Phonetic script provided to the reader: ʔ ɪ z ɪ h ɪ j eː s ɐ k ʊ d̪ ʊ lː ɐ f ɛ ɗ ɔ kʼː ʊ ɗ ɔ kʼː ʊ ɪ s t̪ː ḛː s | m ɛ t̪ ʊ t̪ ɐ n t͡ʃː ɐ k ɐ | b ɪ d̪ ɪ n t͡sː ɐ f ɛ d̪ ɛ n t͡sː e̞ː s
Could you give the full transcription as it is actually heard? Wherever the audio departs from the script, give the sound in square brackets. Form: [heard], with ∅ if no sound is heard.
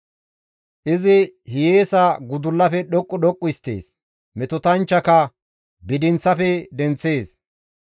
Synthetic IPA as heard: ʔ ɪ z ɪ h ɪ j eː s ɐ [ɡ] ʊ d̪ ʊ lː ɐ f ɛ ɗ ɔ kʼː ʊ ɗ ɔ kʼː ʊ ɪ s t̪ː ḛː s | m ɛ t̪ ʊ t̪ ɐ n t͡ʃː ɐ k ɐ | b ɪ d̪ ɪ n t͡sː ɐ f ɛ d̪ ɛ n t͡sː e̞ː s